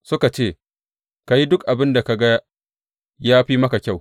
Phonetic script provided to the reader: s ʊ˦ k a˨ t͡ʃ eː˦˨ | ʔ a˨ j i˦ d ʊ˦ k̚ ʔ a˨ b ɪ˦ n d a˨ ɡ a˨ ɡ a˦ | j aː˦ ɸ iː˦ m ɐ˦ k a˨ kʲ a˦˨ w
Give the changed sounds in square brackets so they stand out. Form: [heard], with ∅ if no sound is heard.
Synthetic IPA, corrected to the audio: s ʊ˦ k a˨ t͡ʃ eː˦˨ | [k] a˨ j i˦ d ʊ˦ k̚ ʔ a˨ b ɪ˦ n d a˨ [k] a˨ ɡ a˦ | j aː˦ ɸ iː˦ m ɐ˦ k a˨ kʲ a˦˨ w